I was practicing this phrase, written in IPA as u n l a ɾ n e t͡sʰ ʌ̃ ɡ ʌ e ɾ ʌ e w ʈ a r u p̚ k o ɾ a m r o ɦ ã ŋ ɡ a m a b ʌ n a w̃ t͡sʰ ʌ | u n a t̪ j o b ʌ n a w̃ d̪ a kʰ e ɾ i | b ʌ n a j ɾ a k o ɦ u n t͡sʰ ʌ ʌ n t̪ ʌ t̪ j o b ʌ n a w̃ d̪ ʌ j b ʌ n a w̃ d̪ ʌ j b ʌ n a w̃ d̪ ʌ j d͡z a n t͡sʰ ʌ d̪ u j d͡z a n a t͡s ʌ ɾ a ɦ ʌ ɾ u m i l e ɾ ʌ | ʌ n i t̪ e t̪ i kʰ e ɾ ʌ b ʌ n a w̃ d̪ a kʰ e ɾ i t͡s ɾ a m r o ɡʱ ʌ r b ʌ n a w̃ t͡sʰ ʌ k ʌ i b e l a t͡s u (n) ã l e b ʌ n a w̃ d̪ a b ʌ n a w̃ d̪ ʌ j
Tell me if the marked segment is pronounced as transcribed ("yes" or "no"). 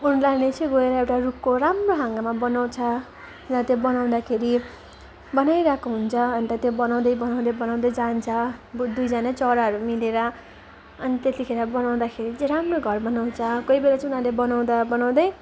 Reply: yes